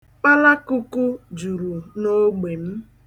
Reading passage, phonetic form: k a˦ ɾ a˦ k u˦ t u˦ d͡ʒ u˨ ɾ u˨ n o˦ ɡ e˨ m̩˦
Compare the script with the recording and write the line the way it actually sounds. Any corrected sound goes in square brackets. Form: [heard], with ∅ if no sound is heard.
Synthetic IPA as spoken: [k͡p] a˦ [l] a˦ k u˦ [k] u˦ d͡ʒ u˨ ɾ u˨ n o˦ [ɡ͡b] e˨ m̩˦